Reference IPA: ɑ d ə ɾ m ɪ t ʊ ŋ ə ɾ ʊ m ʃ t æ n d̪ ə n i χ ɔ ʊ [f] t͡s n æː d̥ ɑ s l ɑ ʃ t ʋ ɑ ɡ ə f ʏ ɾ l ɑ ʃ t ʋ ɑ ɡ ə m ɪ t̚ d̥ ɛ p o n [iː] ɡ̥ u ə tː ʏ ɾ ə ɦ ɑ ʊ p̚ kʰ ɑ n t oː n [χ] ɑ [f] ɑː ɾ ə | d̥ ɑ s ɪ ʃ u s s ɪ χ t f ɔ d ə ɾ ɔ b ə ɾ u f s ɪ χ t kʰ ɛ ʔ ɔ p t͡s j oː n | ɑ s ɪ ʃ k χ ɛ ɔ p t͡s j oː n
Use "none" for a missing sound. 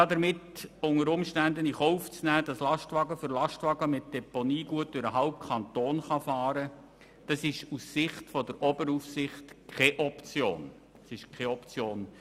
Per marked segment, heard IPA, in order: f, iː, χ, f

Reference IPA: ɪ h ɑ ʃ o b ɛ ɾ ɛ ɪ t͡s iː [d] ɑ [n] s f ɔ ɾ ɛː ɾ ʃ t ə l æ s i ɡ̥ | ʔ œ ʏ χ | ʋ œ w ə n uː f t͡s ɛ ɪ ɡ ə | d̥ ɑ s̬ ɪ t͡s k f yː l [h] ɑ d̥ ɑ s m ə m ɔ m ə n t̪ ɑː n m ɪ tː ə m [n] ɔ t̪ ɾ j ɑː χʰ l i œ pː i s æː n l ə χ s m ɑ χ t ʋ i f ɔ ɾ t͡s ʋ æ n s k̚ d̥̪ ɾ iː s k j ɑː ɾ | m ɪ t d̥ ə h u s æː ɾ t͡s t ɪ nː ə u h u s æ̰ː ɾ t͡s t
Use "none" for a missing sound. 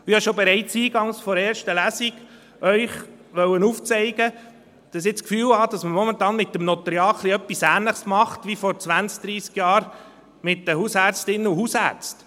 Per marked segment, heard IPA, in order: ɡ, ŋ, h, n

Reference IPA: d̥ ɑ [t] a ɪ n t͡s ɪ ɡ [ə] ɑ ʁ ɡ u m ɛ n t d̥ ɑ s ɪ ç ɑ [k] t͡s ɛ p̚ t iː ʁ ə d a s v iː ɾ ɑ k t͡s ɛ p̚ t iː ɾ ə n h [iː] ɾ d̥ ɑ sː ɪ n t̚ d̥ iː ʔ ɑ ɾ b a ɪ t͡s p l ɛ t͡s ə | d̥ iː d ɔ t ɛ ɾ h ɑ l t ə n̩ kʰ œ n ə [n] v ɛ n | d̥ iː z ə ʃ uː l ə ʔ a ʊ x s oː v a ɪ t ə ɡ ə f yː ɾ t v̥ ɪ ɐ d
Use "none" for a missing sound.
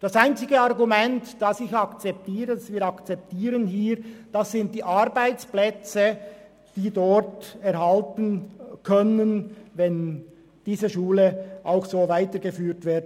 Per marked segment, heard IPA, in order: s, ə, k, iː, n

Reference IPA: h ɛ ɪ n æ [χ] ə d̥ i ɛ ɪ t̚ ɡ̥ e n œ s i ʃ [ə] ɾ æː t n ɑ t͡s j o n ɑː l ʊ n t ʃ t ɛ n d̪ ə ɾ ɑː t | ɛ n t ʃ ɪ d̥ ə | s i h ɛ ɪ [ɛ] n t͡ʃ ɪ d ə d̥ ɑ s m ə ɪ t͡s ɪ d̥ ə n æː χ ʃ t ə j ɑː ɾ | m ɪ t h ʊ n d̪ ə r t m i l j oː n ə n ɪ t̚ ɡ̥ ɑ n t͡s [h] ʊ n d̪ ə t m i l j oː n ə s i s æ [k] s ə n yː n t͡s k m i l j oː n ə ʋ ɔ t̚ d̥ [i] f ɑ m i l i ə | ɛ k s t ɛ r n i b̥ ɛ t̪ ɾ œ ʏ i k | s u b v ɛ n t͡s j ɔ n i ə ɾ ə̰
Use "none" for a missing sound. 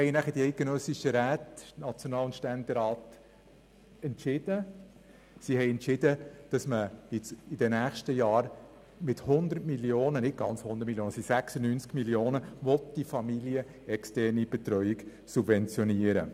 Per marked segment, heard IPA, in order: χ, ə, ɛ, h, k, i

